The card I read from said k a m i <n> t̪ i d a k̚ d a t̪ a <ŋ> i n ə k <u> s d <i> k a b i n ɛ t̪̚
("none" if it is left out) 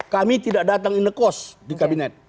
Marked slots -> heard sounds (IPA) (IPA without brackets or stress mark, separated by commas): none, ŋ, ɔ, i